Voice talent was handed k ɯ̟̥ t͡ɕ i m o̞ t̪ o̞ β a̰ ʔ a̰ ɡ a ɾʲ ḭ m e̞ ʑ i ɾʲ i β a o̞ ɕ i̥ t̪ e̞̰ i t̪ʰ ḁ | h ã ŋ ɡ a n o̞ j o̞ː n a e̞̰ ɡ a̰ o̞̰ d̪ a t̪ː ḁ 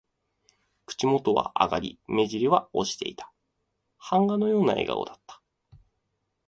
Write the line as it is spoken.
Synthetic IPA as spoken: k ɯ̟̥ t͡ɕ i m o̞ t̪ o̞ β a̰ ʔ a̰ ɡ a ɾʲ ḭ m e̞ ʑ i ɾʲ i β a o̞ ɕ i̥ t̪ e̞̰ i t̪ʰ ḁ | h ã ŋ ɡ a n o̞ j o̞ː n a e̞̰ ɡ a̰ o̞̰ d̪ a t̪ː ḁ